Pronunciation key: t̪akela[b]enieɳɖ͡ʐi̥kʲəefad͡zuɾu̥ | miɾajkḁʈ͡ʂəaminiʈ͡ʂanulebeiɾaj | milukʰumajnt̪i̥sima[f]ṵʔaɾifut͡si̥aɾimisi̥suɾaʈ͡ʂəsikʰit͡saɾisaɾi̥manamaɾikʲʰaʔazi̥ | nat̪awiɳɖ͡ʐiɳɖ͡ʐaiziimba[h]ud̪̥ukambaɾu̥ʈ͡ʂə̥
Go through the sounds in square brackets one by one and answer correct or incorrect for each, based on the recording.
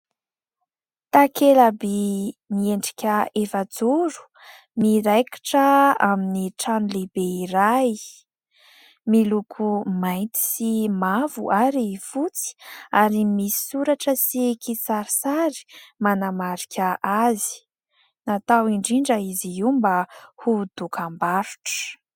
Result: correct, incorrect: v, correct

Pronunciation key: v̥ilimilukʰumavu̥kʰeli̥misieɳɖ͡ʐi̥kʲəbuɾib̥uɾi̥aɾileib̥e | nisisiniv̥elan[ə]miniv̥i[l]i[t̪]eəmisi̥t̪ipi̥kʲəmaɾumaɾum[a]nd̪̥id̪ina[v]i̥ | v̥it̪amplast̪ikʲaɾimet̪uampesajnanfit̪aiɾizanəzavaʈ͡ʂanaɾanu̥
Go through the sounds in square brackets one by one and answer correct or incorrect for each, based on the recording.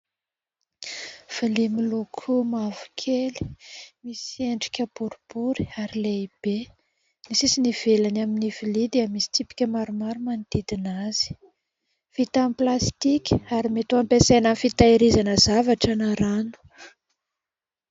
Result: incorrect: a, correct, incorrect: d̪, correct, incorrect: z

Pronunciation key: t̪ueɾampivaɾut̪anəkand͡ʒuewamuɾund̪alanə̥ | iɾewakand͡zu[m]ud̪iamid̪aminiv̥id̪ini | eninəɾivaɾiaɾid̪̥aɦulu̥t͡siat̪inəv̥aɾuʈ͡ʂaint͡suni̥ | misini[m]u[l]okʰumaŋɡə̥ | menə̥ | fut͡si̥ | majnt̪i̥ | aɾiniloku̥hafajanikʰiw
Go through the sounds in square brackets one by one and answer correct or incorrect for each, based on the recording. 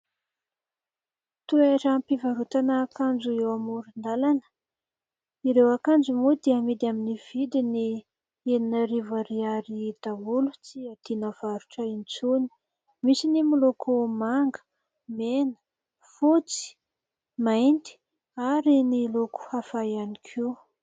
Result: correct, correct, correct

